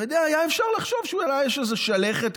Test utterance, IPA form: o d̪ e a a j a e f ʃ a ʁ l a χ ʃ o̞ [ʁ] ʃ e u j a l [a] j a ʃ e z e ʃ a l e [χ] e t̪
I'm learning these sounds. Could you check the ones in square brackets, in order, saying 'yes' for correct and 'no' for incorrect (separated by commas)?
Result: no, yes, yes